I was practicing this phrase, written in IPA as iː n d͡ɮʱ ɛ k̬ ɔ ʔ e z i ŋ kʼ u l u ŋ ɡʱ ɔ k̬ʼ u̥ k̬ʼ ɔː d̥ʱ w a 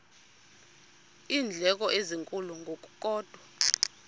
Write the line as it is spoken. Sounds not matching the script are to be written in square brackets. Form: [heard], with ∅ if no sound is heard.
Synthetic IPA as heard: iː n d͡ɮʱ ɛ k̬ ɔ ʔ e z i ŋ kʼ u l u ŋ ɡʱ [o] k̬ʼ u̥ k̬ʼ ɔː d̥ʱ w a